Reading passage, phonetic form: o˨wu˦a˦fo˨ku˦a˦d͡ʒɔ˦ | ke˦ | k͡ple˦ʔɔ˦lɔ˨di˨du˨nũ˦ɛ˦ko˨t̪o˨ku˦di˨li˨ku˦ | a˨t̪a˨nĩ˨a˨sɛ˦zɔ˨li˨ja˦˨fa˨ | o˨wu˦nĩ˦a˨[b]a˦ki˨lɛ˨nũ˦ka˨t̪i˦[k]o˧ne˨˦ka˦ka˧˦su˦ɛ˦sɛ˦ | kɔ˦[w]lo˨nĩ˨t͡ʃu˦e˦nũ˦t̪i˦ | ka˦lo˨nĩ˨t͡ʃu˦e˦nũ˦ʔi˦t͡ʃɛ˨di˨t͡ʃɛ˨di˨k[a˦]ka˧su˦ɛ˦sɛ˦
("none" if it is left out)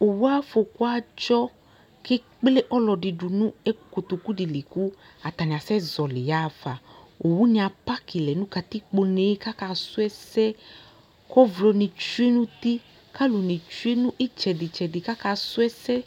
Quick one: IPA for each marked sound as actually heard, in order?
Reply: p, k͡p, v, a˦

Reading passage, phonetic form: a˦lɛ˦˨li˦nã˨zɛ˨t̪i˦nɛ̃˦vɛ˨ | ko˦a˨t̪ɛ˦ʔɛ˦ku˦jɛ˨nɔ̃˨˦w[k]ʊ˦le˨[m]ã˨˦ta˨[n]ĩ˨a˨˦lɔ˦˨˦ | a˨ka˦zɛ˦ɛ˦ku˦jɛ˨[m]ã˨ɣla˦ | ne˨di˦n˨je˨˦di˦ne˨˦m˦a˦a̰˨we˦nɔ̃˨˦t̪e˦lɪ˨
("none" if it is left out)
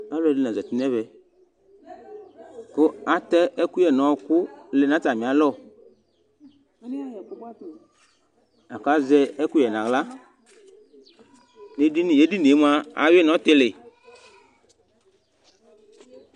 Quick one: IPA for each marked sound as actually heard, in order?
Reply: k, n, m, n

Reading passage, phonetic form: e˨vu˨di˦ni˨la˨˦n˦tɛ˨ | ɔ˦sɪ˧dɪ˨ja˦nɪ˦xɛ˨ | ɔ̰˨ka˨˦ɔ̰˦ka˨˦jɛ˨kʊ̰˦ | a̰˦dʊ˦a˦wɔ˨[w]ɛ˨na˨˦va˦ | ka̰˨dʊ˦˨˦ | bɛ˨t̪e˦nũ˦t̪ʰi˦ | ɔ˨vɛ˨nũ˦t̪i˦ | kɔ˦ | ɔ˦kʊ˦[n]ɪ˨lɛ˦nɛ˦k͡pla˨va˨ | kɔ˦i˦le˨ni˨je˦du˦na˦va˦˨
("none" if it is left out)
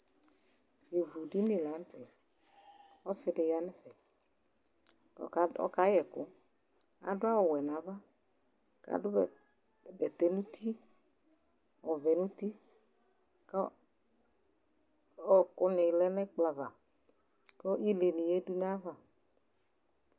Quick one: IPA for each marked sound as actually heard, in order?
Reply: w, n

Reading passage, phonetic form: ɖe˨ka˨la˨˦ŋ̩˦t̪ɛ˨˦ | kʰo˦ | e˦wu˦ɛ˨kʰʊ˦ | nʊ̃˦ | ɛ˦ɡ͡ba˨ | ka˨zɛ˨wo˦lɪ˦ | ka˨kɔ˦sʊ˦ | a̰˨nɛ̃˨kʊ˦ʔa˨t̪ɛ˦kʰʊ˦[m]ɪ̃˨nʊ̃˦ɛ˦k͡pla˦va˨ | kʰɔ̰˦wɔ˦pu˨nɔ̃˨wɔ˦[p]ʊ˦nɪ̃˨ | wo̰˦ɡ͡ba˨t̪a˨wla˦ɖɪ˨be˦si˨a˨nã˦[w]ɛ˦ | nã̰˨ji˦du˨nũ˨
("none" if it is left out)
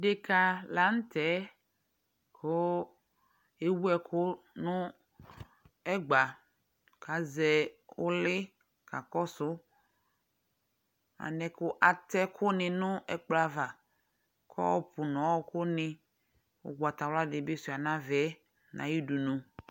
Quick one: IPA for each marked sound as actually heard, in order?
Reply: n, k, v

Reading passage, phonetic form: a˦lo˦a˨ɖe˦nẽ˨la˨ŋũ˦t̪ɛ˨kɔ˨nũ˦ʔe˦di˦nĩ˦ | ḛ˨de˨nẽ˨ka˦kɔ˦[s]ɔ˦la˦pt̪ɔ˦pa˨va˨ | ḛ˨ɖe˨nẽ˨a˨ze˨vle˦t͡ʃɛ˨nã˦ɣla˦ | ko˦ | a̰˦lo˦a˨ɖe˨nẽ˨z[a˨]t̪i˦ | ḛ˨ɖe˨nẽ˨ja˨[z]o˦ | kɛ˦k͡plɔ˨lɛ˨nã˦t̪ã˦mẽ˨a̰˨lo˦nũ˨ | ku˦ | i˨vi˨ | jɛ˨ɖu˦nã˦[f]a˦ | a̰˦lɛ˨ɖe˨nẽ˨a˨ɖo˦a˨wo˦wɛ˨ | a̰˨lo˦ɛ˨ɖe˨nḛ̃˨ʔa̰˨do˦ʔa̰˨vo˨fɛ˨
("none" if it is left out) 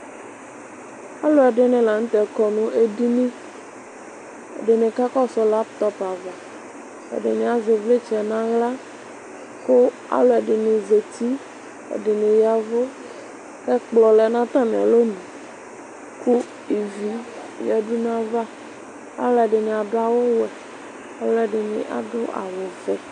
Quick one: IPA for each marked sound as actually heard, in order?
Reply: s, e˨, v, v

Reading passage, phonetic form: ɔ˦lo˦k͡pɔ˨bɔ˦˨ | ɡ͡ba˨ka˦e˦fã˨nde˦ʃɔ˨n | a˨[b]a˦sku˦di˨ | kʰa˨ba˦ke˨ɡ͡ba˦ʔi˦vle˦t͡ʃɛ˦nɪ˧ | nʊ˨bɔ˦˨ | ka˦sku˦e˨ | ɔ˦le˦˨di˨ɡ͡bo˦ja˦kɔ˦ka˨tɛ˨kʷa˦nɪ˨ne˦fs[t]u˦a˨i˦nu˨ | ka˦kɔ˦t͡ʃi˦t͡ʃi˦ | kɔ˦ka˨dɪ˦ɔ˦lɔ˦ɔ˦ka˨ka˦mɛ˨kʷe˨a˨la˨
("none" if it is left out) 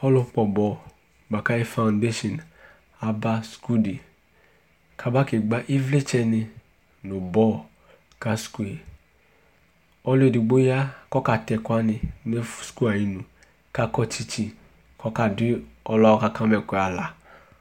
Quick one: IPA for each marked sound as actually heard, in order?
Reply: b, k

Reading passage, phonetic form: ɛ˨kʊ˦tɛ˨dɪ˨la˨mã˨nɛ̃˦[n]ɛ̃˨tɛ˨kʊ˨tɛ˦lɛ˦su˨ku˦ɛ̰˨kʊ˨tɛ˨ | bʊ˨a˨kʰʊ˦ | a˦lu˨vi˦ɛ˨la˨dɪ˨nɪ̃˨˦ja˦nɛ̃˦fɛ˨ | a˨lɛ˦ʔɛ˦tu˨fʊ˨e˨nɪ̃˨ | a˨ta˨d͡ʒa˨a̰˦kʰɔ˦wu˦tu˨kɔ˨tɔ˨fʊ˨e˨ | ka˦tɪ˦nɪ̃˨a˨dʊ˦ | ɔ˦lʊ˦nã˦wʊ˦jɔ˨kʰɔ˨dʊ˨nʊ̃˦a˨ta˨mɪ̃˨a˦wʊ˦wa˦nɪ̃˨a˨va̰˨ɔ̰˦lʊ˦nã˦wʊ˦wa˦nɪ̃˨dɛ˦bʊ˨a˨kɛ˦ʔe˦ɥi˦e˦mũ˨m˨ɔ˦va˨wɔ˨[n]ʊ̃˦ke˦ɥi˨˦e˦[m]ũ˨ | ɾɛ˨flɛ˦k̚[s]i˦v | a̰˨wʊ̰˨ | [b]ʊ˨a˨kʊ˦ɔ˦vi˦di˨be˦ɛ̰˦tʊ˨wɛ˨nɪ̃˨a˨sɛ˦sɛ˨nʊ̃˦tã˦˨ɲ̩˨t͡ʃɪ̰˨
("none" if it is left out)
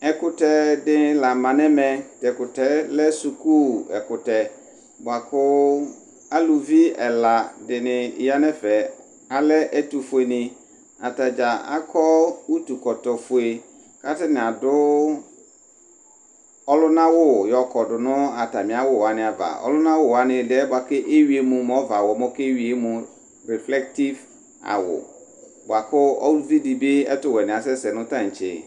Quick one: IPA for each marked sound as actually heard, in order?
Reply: m, m, m, t, b

